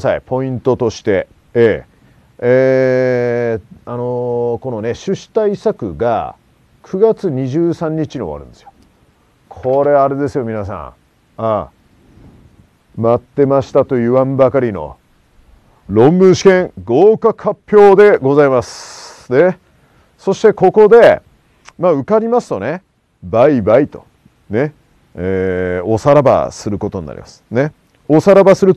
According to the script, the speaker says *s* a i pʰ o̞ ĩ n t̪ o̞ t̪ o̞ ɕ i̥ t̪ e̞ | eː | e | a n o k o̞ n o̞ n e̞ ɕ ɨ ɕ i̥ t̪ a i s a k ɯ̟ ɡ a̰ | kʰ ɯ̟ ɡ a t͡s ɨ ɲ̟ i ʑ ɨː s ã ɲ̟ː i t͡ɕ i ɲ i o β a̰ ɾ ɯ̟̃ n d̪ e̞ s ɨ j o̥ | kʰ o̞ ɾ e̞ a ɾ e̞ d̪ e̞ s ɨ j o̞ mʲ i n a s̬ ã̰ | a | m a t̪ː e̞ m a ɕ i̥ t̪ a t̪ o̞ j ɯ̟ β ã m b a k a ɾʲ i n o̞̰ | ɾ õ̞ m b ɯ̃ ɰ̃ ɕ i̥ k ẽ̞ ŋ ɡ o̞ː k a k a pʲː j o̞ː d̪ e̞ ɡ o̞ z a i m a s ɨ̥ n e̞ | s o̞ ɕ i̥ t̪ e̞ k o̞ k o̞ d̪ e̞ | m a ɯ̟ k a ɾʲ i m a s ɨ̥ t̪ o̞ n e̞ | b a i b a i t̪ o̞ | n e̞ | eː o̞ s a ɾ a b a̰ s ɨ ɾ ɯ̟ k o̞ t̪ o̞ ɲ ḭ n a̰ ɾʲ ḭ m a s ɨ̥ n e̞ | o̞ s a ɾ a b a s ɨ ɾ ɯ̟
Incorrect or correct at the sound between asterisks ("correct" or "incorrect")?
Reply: correct